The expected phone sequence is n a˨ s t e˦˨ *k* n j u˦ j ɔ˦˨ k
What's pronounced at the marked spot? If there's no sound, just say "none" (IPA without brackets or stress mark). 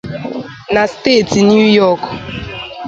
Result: t